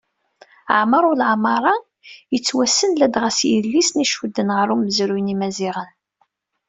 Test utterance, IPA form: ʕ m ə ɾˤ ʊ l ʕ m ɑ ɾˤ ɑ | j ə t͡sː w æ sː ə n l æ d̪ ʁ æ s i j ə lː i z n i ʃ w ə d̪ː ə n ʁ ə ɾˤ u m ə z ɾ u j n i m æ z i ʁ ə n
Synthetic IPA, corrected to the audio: ʕ m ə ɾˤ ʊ l ʕ m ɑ ɾˤ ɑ | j ə t͡sː w æ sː ə n l æ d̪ ʁ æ s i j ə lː i s n i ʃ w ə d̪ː ə n ʁ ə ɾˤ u m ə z ɾ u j n i m æ z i ʁ ə n